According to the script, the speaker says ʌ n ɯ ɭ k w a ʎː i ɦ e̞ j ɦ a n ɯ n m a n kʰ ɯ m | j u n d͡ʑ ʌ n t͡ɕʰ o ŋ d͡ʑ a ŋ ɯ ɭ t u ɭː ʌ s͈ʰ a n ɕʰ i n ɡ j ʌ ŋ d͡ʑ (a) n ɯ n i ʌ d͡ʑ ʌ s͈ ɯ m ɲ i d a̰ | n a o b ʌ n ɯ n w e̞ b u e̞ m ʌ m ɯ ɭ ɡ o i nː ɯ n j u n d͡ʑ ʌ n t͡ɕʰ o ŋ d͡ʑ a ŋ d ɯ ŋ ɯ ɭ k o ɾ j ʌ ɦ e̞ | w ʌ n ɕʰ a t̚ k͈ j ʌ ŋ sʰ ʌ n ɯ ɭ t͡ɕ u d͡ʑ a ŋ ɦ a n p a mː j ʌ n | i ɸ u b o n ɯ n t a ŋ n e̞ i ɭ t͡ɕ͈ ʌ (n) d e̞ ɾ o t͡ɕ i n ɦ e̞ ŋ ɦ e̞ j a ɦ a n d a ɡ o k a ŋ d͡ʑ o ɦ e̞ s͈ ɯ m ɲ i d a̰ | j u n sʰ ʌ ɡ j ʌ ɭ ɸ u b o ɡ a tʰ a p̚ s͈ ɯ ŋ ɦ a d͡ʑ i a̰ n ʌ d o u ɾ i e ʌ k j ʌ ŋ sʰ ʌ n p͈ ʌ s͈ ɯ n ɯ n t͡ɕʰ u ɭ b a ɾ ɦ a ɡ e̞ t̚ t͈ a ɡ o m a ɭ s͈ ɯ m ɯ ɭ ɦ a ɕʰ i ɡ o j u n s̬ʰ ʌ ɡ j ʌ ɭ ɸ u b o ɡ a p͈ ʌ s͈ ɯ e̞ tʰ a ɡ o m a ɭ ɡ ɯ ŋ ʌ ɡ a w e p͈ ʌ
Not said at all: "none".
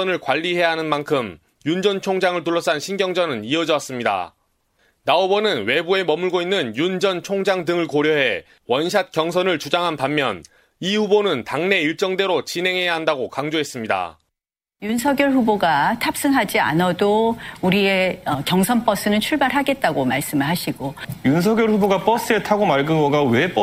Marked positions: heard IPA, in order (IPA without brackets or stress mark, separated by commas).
ʌ, ŋ